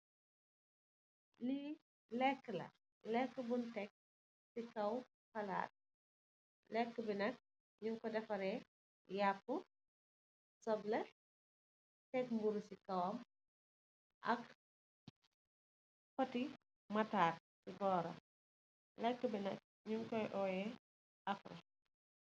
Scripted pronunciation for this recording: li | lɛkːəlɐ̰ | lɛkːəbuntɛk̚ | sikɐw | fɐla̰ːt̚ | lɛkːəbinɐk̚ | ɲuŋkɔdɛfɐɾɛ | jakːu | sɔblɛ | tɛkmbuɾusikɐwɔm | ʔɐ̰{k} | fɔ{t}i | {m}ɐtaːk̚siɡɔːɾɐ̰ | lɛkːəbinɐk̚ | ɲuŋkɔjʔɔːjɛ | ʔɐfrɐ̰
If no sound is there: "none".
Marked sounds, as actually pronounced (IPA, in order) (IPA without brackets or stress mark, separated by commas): k, t, m